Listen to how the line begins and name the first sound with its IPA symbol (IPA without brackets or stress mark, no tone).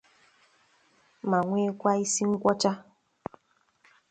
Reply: m